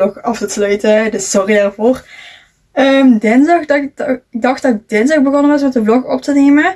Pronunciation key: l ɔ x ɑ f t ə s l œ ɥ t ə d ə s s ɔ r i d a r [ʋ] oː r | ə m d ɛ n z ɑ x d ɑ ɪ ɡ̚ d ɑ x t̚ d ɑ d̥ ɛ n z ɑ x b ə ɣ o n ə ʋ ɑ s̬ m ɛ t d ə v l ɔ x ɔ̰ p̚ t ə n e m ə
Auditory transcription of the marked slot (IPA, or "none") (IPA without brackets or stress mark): v